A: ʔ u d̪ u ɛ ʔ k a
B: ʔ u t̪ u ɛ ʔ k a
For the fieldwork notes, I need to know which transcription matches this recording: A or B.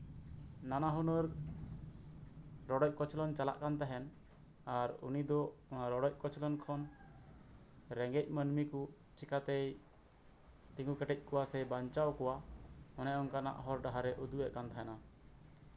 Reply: A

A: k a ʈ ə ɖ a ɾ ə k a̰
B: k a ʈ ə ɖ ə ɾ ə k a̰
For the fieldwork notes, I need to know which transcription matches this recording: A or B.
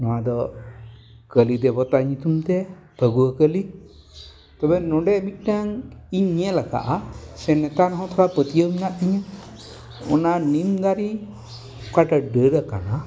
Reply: B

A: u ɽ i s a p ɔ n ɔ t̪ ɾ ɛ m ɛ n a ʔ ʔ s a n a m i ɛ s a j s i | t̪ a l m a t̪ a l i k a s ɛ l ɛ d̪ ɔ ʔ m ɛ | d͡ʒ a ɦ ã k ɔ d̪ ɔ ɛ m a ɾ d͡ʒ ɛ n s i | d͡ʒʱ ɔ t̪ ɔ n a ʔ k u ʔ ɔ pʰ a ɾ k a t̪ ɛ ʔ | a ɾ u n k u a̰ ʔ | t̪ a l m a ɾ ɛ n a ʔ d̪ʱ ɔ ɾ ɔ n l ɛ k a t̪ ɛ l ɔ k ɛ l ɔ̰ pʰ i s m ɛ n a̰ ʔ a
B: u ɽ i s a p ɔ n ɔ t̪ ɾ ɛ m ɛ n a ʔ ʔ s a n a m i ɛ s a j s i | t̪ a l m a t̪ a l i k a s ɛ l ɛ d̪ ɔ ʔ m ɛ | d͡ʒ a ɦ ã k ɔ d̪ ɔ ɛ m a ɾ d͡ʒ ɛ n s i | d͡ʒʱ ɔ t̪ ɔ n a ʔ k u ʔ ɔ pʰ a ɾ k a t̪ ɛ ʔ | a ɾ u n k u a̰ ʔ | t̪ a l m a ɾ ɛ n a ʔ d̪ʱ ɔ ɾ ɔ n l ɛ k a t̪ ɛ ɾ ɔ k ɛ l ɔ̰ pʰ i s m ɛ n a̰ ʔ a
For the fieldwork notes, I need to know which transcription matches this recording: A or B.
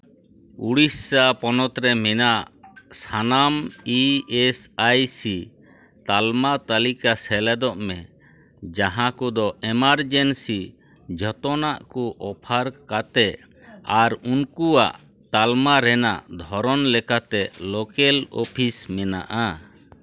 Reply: A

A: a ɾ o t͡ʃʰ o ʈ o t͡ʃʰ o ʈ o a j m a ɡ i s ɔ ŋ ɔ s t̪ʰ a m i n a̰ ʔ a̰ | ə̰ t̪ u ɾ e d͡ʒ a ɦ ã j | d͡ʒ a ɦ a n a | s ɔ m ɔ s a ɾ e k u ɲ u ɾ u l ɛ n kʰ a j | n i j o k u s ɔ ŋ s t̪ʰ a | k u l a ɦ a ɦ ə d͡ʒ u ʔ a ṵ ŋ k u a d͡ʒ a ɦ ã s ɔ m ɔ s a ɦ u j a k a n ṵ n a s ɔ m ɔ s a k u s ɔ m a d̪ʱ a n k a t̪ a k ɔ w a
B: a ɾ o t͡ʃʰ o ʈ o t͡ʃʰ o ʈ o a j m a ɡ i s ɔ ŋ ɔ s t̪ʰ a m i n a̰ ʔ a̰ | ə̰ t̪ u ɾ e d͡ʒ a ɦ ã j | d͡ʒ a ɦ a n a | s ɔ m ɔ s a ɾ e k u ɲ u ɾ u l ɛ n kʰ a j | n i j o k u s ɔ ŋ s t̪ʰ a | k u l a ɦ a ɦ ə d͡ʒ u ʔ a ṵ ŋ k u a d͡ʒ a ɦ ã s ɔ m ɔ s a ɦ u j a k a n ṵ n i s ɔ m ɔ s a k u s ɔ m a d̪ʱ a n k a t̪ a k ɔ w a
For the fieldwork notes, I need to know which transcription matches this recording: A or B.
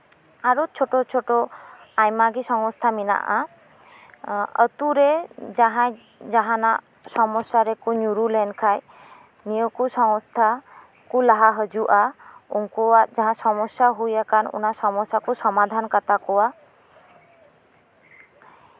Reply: A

